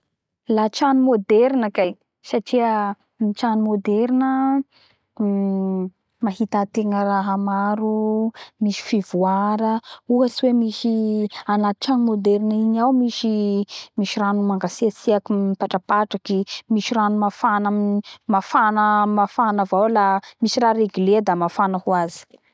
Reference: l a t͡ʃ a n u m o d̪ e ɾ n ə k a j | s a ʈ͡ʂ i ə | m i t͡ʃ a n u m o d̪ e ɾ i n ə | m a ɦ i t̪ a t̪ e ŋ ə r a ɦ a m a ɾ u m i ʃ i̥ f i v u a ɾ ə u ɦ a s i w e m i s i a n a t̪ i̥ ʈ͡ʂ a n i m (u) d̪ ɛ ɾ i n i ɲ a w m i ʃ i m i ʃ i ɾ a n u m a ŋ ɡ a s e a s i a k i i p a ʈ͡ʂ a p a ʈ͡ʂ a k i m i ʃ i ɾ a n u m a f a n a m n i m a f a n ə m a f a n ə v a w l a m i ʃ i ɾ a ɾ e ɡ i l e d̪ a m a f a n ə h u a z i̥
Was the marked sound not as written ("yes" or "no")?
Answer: yes